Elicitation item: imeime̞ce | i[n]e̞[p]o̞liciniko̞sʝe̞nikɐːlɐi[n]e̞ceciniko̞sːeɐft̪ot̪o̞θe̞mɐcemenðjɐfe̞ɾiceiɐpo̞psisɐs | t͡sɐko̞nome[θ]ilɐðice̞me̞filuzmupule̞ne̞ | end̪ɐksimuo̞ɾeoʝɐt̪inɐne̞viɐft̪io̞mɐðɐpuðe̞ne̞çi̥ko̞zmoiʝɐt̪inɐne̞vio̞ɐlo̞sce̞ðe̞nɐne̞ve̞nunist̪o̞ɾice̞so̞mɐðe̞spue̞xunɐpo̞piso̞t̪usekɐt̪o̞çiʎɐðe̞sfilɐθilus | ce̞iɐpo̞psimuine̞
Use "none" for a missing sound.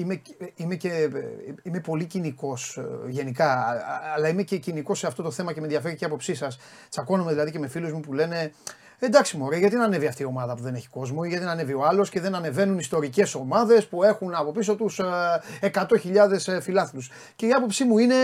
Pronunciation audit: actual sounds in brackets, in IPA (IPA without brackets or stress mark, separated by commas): m, p, m, ð